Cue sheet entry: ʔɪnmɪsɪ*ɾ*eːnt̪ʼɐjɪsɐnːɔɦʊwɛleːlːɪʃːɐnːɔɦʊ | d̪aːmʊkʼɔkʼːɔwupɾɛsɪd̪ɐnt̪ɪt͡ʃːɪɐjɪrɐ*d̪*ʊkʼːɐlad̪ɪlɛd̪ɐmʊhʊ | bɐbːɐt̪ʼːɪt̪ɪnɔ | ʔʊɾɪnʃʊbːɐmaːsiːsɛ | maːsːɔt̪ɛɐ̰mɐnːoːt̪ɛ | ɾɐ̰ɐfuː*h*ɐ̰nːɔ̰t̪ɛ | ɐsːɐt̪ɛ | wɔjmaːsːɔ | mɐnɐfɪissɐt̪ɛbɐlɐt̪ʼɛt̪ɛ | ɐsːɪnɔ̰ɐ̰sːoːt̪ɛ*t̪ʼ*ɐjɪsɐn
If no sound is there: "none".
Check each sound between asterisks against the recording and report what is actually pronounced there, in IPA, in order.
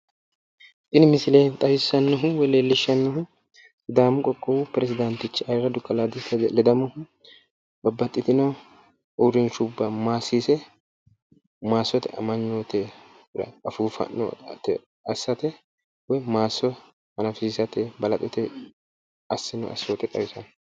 l, d̪, f, t̪ʼ

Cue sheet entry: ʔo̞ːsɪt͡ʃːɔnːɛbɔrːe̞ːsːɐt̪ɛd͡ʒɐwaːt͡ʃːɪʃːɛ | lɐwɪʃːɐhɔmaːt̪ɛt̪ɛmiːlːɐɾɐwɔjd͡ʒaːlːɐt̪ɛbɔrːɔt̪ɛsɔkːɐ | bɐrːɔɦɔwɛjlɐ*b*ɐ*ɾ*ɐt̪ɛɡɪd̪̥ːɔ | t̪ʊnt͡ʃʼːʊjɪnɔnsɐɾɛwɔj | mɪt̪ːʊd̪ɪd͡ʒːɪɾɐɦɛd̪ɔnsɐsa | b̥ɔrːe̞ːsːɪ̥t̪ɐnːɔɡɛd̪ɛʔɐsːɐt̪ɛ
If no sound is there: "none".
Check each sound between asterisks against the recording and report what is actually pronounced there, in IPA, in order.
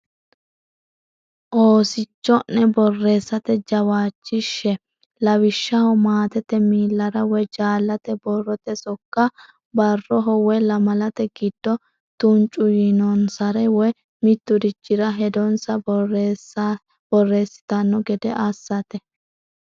m, l

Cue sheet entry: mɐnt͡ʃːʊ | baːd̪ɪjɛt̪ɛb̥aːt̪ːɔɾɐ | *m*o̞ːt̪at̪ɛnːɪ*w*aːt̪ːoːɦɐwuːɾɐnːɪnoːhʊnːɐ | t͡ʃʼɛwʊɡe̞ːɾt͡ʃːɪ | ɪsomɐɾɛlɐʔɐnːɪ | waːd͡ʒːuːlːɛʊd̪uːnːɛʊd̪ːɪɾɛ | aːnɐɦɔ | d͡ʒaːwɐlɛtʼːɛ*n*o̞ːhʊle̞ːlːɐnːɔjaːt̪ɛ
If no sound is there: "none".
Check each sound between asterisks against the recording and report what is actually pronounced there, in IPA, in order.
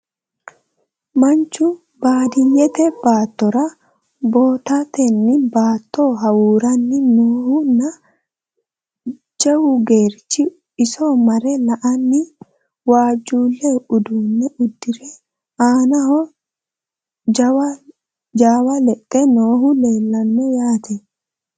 b, b, n

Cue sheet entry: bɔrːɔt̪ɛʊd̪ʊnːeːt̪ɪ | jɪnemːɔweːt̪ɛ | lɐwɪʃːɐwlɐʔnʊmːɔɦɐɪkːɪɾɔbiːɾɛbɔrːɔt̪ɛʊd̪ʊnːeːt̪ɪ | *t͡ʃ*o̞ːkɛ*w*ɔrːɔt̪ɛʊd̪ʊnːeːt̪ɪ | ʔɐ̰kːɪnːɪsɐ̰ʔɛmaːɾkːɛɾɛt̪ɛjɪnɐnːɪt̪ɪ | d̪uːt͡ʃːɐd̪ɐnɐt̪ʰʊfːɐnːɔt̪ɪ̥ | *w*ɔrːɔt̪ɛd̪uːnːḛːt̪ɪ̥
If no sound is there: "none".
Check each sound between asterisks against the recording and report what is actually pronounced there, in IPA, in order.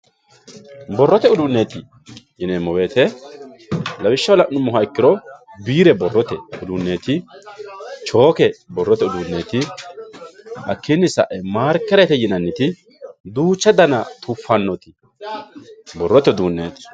t͡ʃ, b, b

